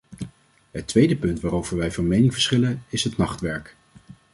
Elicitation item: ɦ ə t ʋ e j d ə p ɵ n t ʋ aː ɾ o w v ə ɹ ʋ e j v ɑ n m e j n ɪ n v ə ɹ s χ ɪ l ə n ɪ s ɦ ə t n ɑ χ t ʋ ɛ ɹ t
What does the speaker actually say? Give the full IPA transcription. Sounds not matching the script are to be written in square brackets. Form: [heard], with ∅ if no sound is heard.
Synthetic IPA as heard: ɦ ə t ʋ e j d ə p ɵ n t ʋ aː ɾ o w v ə ɹ ʋ [ɛ] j v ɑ n m e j n ɪ [ŋ] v ə ɹ s χ ɪ l ə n ɪ s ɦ ə t n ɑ χ t ʋ ɛ ɹ [k]